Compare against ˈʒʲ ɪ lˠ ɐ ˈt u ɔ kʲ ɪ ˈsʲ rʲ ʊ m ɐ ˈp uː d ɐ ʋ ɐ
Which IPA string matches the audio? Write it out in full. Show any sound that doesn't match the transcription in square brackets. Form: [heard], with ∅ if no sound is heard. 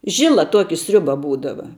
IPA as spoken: ˈʒʲ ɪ lˠ ɐ ˈt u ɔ kʲ ɪ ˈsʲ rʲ ʊ [b] ɐ [ˈb] uː d ɐ ʋ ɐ

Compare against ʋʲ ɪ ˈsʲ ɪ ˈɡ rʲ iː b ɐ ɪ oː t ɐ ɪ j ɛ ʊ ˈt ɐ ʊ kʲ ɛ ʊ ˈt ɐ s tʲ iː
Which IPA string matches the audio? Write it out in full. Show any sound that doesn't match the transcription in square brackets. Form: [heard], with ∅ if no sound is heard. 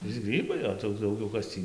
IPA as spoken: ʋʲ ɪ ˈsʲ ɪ ˈɡ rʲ iː b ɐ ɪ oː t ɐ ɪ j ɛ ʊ [ˈd] ɐ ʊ [ɡʲ] ɛ ʊ [ˈk] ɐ s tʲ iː

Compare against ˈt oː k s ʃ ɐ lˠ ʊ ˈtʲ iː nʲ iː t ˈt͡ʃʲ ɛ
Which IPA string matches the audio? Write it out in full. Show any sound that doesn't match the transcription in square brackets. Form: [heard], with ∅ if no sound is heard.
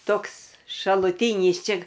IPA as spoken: ˈt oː k s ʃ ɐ lˠ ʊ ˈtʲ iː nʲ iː [s] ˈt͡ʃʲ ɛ

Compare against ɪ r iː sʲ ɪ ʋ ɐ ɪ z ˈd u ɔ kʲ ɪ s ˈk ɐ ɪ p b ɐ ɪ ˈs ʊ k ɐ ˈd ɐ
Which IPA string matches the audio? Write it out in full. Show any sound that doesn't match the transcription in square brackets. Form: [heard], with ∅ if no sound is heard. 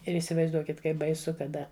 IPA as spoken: ɪ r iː sʲ ɪ ʋ ɐ ɪ z ˈd u ɔ kʲ ɪ [t] ˈk ɐ ɪ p b ɐ ɪ ˈs ʊ k ɐ ˈd ɐ

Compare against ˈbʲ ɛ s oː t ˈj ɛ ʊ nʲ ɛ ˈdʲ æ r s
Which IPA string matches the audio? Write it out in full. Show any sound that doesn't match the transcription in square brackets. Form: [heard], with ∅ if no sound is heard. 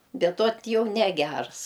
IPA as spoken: ˈbʲ ɛ [t] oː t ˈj ɛ ʊ nʲ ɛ [ˈɡʲ] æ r s

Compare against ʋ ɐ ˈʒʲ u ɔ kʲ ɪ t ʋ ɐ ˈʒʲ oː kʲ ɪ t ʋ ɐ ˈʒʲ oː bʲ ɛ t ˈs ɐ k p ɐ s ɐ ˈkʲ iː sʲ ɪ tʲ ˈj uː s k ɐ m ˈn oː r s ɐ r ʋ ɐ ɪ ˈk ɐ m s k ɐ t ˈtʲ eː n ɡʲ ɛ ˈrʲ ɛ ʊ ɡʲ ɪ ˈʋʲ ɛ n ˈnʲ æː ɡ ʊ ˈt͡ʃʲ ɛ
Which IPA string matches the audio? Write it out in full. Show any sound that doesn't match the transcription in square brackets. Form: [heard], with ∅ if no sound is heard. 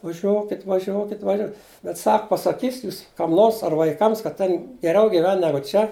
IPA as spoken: ʋ ɐ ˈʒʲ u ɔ kʲ ɪ t ʋ ɐ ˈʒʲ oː kʲ ɪ t ʋ ɐ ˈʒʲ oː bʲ ɛ t ˈs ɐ k p ɐ s ɐ ˈkʲ iː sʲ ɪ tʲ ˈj uː s k ɐ m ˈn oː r s ɐ r ʋ ɐ ɪ ˈk ɐ m s k ɐ t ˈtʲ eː n ɡʲ ɛ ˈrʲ ɛ ʊ ɡʲ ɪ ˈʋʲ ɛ n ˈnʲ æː ɡ ʊ ˈt͡ʃʲ ɛ

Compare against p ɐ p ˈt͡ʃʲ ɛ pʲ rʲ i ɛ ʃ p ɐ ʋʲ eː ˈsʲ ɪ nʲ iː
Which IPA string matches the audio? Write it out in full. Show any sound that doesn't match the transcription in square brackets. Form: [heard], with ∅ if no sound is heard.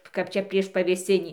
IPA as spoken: [k] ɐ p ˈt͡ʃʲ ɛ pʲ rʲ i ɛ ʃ p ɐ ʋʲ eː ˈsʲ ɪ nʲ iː

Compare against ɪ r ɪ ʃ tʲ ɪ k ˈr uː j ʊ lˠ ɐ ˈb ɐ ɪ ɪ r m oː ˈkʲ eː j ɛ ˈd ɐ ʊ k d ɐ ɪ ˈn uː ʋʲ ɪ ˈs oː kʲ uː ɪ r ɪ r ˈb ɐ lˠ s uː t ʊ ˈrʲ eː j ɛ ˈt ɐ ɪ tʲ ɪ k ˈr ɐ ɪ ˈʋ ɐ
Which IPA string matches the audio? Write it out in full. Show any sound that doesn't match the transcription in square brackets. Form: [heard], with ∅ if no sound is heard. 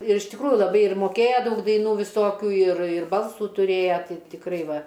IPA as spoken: ɪ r ɪ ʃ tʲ ɪ k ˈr uː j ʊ lˠ ɐ ˈb ɐ ɪ ɪ r m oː ˈkʲ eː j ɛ ˈd ɐ ʊ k d ɐ ɪ ˈn uː ʋʲ ɪ ˈs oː kʲ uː ɪ r ɪ r ˈb ɐ lˠ s uː t ʊ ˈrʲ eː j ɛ ˈt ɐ ɪ tʲ ɪ k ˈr ɐ ɪ ˈʋ ɐ

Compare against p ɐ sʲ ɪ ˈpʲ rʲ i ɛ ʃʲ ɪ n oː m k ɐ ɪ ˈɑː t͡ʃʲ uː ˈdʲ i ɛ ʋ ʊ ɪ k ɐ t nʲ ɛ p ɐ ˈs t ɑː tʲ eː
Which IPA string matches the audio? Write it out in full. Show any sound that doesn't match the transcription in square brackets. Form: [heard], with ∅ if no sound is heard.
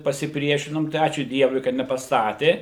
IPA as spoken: p ɐ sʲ ɪ ˈpʲ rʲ i ɛ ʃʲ ɪ n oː m [t] ɐ ɪ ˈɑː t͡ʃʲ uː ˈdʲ i ɛ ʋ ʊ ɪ k ɐ t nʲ ɛ p ɐ ˈs t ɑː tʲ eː

